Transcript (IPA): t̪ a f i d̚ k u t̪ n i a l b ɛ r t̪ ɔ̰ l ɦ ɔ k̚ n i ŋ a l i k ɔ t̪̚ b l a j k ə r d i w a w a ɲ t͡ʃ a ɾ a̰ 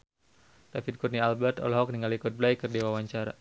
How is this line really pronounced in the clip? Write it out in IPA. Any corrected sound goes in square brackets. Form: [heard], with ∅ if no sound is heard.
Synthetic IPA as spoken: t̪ a f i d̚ k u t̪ n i a l b ɛ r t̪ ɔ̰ l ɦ ɔ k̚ n i ŋ a l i k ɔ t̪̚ b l a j k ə r d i w a w a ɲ t͡ʃ a ɾ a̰

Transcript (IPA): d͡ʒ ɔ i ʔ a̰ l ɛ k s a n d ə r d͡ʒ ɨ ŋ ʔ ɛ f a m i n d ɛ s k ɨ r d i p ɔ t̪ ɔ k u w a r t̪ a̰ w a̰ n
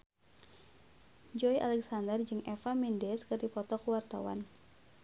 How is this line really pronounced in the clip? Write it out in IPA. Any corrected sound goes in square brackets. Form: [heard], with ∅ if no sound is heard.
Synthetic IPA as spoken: d͡ʒ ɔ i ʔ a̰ l ɛ k s a n d ə r d͡ʒ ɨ ŋ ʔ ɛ f a m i n d ɛ s k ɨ r d i p ɔ t̪ ɔ k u w a r t̪ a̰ w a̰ n

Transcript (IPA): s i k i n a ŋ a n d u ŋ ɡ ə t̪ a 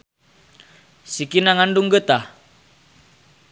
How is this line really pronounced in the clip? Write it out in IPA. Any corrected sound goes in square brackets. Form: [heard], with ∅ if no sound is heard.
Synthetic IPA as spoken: s i k i n a ŋ a n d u ŋ ɡ ə t̪ a

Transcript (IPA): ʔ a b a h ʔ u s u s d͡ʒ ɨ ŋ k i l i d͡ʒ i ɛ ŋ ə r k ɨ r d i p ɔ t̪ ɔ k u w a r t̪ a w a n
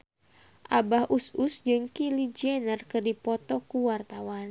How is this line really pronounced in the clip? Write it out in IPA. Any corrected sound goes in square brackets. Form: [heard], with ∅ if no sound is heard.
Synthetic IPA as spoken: ʔ a b a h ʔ u s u s d͡ʒ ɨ ŋ k i l i d͡ʒ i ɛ [n] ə r k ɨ r d i p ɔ t̪ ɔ k u w a r t̪ a w a n

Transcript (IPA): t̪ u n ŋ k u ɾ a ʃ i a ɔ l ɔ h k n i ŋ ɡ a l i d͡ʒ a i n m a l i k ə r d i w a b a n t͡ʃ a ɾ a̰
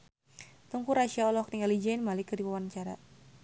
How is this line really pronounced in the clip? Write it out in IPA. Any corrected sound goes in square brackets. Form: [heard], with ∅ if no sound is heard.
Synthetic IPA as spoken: t̪ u [∅] ŋ k u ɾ a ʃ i a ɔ l ɔ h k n i ŋ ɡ a l i d͡ʒ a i n m a l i k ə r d i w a [w] a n t͡ʃ a ɾ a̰

